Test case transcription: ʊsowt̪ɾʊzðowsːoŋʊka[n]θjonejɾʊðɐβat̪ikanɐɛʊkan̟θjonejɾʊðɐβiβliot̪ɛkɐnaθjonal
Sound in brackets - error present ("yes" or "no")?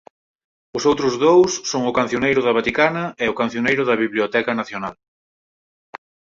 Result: no